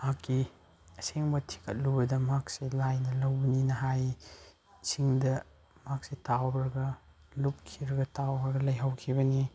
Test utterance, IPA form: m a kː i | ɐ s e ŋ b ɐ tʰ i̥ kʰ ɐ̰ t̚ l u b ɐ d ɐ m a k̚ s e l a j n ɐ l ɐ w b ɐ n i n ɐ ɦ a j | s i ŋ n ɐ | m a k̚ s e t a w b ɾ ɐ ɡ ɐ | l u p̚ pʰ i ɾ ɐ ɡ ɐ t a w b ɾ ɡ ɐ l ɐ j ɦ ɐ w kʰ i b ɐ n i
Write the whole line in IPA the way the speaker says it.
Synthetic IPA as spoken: m a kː i | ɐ s e ŋ b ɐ tʰ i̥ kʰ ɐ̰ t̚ l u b ɐ d ɐ m a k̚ s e l a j n ɐ l ɐ w b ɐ n i n ɐ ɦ a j | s i ŋ d ɐ | m a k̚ s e t a w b ɾ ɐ ɡ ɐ | l u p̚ kʰ i ɾ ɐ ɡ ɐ t a w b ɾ ɡ ɐ l ɐ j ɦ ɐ w kʰ i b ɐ n i